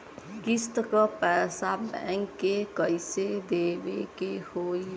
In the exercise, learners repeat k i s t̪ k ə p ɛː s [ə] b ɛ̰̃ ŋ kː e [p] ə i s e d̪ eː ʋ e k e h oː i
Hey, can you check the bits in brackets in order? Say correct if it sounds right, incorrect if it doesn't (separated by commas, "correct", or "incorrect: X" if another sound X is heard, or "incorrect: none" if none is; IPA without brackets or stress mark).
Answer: incorrect: a, incorrect: k